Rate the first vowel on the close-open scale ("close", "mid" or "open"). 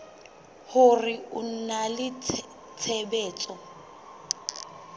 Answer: close